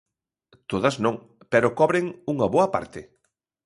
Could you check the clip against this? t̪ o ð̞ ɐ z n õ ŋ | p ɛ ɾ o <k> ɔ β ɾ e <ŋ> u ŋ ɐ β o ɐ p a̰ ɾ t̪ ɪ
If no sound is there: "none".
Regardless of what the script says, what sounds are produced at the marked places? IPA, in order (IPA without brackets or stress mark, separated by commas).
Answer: k, ŋ